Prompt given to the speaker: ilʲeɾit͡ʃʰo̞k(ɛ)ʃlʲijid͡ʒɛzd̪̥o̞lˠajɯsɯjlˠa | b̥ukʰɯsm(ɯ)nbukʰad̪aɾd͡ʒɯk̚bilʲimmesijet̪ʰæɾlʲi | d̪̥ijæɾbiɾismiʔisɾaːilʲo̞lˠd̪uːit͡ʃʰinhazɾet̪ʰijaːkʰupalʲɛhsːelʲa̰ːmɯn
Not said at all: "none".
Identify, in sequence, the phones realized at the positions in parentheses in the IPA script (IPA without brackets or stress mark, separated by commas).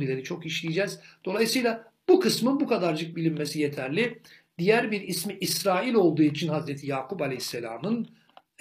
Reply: i, ɯ